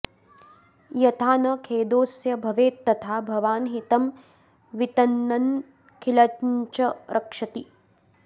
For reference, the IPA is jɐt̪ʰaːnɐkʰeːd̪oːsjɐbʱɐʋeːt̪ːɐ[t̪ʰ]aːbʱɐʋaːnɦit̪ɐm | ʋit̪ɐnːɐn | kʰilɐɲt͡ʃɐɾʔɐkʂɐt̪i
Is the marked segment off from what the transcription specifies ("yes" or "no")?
no